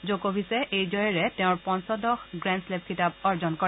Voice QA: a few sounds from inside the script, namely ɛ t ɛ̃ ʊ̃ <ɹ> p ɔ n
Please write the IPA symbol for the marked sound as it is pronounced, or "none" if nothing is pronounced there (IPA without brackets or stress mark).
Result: ɹ